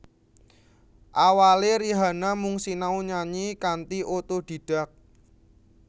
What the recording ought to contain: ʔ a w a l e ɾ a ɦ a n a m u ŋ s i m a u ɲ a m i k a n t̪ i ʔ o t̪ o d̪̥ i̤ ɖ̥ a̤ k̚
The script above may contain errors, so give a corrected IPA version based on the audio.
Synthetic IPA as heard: ʔ a w a l e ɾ i ɦ a n a m u ŋ s i n a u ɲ a ɲ i k a n t̪ i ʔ o t̪ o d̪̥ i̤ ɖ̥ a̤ k̚